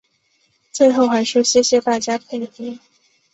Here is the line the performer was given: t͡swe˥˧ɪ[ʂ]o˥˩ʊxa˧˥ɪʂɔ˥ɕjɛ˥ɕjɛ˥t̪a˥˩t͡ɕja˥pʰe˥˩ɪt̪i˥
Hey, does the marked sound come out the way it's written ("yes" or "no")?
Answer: no